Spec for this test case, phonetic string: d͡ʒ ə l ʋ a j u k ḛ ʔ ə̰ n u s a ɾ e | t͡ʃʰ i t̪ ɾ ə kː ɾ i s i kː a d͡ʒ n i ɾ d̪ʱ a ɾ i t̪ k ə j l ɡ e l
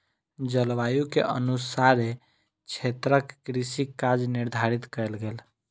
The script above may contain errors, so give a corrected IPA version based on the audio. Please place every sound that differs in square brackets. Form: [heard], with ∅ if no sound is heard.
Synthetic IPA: d͡ʒ ə l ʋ a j u k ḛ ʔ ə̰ n u s a ɾ e | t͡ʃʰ [e] t̪ ɾ ə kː ɾ i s i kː a d͡ʒ n i ɾ d̪ʱ a ɾ i t̪ k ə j l ɡ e l